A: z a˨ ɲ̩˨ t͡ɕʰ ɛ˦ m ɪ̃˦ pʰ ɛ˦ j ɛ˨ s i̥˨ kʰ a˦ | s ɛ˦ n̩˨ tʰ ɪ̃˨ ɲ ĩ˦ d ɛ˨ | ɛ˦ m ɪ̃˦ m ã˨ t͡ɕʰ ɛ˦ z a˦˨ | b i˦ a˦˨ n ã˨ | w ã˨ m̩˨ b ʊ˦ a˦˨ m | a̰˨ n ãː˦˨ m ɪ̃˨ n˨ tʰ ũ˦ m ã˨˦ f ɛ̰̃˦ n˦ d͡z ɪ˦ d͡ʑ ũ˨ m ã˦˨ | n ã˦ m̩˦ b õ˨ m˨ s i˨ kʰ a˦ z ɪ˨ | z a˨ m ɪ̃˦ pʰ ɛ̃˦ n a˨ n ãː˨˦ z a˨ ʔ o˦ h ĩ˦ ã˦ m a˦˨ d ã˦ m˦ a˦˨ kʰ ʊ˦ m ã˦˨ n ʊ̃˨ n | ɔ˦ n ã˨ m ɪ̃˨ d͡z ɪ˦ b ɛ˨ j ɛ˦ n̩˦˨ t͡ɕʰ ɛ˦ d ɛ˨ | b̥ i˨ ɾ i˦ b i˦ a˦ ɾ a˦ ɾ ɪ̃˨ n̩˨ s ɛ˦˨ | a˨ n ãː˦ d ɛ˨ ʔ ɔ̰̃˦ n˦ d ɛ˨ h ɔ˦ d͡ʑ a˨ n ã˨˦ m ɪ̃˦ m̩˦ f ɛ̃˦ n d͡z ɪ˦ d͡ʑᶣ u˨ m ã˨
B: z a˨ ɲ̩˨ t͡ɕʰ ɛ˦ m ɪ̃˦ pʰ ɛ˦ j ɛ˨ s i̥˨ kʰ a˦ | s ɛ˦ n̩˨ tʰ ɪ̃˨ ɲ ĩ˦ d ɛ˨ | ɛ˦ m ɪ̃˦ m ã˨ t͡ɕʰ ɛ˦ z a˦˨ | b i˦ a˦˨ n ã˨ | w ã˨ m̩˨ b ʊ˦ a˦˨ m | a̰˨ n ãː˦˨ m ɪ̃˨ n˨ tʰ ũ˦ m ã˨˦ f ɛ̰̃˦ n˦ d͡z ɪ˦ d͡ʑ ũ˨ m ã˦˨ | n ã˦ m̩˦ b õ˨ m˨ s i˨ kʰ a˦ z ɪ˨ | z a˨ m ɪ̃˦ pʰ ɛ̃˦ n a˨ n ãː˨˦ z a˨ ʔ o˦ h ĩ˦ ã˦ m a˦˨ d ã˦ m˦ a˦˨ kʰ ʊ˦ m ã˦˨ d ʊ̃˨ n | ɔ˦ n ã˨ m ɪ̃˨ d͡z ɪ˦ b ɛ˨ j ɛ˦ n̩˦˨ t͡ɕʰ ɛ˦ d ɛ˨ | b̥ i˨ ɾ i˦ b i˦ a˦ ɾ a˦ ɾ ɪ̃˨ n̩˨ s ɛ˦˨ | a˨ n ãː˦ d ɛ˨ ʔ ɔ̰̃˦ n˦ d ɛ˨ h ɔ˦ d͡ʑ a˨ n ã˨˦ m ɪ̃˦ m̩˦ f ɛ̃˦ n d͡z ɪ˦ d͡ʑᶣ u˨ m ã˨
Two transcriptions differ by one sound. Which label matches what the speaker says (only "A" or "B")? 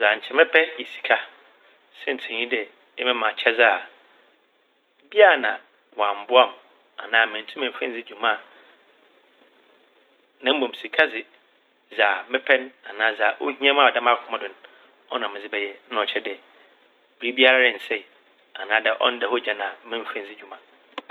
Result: B